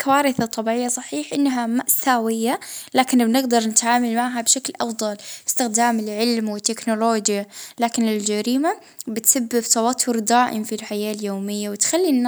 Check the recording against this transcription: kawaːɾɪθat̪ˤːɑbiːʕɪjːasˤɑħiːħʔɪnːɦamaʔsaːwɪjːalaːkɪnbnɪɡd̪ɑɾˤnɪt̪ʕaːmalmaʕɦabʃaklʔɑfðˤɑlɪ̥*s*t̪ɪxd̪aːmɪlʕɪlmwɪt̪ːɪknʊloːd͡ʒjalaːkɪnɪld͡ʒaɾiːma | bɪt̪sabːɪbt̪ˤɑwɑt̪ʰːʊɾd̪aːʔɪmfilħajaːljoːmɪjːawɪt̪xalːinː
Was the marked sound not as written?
no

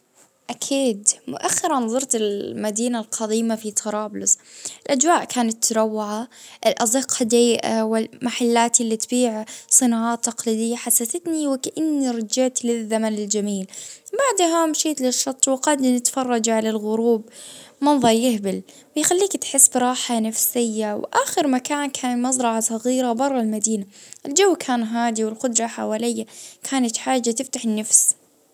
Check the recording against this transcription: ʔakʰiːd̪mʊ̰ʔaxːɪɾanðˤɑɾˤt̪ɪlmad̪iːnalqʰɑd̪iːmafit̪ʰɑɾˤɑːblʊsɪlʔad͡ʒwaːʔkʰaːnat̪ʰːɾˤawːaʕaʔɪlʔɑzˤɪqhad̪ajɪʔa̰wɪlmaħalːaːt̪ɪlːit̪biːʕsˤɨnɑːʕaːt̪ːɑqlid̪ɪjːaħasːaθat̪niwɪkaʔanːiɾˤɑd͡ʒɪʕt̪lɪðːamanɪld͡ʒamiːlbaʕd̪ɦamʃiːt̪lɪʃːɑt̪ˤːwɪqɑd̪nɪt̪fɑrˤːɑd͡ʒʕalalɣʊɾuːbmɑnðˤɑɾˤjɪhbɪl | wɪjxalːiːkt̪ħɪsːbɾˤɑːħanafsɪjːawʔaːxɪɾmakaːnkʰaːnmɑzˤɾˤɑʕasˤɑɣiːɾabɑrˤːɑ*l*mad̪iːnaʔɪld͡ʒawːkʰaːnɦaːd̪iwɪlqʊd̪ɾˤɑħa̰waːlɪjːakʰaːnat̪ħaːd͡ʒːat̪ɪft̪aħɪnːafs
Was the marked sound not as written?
no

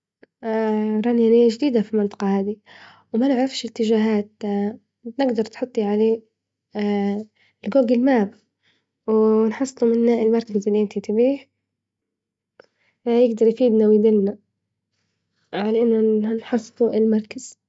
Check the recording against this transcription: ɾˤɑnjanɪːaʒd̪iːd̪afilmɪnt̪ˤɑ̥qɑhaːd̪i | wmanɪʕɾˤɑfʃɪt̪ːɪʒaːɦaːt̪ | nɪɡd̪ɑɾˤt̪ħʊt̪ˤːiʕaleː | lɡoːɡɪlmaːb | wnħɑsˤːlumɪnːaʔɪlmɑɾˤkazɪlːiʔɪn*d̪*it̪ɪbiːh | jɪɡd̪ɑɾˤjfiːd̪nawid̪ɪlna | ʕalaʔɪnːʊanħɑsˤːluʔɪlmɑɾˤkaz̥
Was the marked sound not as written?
yes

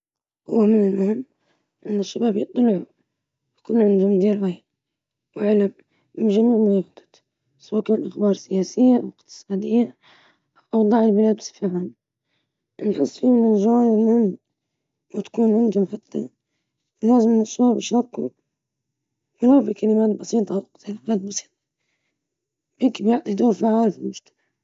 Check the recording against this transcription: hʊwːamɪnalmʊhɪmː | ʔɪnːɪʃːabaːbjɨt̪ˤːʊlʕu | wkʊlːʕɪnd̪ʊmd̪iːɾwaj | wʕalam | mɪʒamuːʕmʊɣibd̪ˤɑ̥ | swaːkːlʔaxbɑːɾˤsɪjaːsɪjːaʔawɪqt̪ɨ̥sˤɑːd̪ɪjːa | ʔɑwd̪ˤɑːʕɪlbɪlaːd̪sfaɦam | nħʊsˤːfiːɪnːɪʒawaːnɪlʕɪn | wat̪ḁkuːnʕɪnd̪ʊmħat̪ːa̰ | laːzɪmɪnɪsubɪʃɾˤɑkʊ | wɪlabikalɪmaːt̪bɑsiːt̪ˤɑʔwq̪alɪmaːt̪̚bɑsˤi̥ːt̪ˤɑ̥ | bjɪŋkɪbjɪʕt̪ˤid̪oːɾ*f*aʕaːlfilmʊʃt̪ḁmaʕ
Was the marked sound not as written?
no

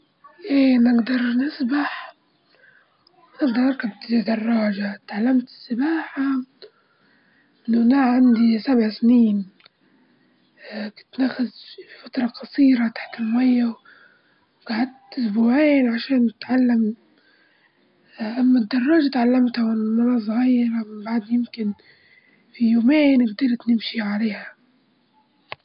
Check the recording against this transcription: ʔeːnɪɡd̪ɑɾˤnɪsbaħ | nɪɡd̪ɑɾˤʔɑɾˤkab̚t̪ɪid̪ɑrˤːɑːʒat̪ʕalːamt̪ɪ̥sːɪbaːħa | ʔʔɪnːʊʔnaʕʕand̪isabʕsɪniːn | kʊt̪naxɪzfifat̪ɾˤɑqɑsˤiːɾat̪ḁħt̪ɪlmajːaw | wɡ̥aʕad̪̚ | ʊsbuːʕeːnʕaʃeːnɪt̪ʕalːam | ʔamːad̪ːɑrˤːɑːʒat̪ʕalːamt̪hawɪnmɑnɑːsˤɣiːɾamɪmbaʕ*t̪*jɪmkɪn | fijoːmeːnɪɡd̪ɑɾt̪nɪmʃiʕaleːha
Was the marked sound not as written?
yes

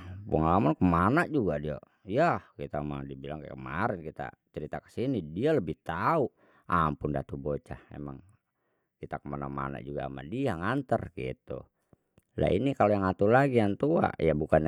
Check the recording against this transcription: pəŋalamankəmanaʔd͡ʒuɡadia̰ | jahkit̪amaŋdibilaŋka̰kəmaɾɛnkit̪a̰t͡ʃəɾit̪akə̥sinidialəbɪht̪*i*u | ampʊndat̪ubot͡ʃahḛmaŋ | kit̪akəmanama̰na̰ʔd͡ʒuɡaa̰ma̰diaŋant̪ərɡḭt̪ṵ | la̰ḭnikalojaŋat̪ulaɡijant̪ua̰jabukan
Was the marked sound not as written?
yes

